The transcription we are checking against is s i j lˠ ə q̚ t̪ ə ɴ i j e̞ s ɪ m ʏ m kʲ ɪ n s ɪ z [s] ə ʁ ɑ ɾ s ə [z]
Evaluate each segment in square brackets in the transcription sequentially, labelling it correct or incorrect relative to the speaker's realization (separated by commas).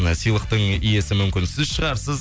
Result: incorrect, correct